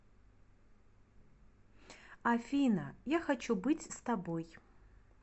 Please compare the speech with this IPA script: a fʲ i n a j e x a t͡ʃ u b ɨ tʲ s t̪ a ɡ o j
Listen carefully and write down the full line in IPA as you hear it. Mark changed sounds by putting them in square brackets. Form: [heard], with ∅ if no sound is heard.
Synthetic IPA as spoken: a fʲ i n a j [a] x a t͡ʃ u b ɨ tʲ s t̪ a [b] o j

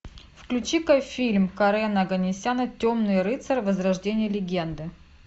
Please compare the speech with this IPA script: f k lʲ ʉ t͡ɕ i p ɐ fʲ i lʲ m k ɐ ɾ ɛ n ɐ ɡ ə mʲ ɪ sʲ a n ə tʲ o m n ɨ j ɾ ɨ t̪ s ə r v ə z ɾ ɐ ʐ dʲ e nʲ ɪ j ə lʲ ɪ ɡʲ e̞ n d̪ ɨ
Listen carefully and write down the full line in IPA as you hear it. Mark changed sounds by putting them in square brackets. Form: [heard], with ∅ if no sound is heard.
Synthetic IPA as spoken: f k lʲ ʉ t͡ɕ i [k] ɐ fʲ i lʲ m k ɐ ɾ ɛ n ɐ ɡ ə [nʲ] ɪ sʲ a n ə tʲ o m n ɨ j ɾ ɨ t̪ s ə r v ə z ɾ ɐ ʐ dʲ e nʲ ɪ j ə lʲ ɪ ɡʲ e̞ n d̪ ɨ

